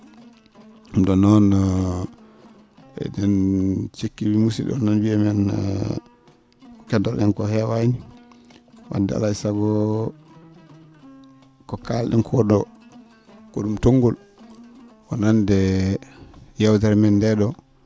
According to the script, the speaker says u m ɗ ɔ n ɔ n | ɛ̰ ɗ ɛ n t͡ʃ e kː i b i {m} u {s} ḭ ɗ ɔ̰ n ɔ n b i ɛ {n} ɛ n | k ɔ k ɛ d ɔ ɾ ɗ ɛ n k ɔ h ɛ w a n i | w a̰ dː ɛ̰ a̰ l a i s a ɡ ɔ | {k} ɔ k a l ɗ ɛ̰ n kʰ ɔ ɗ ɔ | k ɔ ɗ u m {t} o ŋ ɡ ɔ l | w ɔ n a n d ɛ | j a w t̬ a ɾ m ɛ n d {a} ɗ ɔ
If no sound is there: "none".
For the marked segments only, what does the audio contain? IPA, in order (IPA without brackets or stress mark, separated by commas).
m, s, m, k, t, ɛ